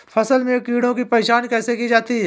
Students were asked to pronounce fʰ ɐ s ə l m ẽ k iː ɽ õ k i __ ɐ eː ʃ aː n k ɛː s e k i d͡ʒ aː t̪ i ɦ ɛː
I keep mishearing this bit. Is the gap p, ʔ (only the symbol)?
p